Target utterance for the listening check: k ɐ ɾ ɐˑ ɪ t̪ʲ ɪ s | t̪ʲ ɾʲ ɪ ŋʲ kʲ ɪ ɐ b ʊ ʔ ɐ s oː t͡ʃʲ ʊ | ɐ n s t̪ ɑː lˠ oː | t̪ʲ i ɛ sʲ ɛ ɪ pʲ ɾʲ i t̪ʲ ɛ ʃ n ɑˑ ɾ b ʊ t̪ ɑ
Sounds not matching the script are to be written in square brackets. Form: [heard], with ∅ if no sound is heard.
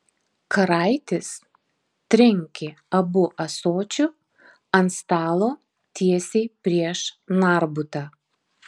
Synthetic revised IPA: k ɐ ɾ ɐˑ ɪ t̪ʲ ɪ s | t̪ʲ ɾʲ ɪ ŋʲ kʲ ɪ ɐ b ʊ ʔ ɐ s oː t͡ʃʲ ʊ | ɐ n s t̪ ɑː lˠ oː | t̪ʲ i ɛ sʲ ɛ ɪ pʲ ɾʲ i [∅] ɛ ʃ n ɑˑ ɾ b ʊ t̪ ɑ